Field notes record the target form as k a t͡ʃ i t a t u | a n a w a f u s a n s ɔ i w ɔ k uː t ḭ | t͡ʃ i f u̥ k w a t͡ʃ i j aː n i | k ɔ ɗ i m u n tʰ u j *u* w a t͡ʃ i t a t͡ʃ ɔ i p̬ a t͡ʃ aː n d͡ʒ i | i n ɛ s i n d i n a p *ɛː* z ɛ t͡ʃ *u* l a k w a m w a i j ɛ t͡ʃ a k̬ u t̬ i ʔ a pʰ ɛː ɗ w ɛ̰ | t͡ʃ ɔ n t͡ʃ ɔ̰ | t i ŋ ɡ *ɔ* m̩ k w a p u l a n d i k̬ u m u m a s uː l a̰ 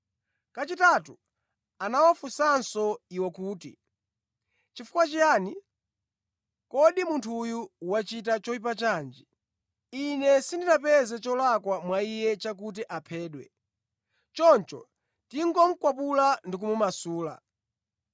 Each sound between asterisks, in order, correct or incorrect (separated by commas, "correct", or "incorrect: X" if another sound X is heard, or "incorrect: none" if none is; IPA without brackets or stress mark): correct, incorrect: ɛ, incorrect: ɔ, correct